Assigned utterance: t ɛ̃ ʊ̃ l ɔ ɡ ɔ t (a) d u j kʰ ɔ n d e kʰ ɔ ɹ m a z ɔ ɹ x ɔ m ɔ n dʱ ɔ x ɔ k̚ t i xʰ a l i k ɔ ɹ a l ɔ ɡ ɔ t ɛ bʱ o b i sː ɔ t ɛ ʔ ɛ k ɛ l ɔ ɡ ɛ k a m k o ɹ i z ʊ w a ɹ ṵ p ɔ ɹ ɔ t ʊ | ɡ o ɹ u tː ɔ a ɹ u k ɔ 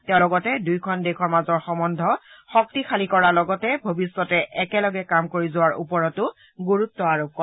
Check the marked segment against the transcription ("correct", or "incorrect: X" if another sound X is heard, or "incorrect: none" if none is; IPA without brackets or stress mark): incorrect: ɛ